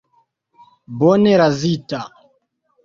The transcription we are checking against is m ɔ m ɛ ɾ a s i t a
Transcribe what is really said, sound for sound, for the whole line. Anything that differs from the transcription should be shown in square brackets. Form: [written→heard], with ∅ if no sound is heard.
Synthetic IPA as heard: [m→b] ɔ [m→n] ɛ ɾ a [s→z] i t a